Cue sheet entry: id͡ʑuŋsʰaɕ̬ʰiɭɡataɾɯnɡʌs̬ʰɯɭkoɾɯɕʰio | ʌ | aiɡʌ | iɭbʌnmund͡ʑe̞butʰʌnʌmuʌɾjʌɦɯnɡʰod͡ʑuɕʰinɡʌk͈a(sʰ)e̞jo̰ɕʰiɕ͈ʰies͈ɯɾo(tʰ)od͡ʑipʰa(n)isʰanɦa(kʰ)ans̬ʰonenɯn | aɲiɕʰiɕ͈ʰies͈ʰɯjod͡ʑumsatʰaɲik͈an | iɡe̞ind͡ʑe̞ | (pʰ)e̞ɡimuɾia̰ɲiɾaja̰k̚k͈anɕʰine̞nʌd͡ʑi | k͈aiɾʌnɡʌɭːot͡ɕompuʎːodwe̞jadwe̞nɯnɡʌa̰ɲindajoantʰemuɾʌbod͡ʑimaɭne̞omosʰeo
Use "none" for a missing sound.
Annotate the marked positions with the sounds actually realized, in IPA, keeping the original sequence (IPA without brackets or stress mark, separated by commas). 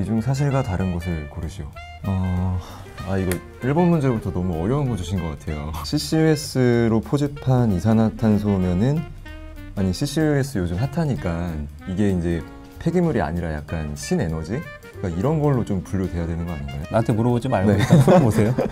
tʰ, pʰ, n, tʰ, pʰ